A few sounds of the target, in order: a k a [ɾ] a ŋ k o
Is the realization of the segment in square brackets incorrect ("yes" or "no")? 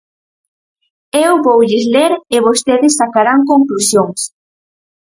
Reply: no